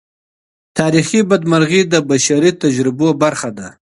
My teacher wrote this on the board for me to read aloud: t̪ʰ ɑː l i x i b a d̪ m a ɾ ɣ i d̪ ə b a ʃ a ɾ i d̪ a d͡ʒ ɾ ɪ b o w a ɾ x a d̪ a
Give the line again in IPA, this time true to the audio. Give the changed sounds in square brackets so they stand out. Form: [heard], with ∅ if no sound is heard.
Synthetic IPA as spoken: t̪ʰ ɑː [ɾ] i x i b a d̪ m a ɾ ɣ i d̪ ə b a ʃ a ɾ i [t̪] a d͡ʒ ɾ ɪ b o [b] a ɾ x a d̪ a